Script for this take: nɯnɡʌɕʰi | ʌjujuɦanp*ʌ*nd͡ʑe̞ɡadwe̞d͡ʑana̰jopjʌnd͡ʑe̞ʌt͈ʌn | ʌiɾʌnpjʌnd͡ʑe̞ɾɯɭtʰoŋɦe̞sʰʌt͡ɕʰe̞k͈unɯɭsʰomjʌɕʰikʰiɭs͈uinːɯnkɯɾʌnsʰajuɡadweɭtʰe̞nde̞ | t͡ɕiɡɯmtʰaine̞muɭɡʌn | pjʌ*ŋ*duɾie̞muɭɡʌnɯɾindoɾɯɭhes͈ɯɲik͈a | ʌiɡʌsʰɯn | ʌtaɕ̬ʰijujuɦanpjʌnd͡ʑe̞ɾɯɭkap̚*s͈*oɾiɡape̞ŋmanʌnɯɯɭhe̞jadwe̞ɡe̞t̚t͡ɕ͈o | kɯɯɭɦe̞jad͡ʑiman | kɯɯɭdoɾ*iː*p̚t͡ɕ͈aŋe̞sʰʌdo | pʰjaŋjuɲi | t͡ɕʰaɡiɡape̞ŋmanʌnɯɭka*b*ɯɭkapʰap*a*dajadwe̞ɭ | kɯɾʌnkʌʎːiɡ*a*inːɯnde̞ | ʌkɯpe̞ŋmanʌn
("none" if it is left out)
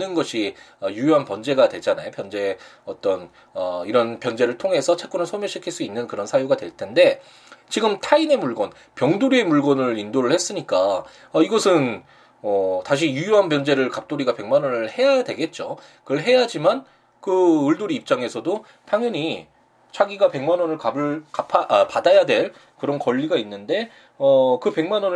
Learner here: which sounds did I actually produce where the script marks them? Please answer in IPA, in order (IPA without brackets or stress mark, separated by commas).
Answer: ʌ, ŋ, t͈, iː, b, a, a